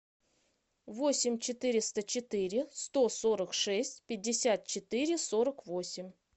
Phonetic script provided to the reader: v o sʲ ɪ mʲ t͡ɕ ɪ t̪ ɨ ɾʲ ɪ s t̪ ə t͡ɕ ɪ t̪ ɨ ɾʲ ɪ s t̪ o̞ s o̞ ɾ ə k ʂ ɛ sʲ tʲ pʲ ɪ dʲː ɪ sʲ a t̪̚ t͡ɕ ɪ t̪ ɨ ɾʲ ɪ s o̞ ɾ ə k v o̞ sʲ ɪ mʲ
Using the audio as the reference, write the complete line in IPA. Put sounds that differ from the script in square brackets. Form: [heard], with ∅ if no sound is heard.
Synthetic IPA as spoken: v o sʲ ɪ mʲ t͡ɕ ɪ t̪ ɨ ɾʲ ɪ s t̪ ə t͡ɕ ɪ t̪ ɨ ɾʲ ɪ s t̪ o̞ s o̞ ɾ ə k ʂ ɛ sʲ tʲ pʲ ɪ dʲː ɪ sʲ a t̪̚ t͡ɕ ɪ t̪ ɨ ɾʲ ɪ s o̞ ɾ ə k v o̞ sʲ ɪ mʲ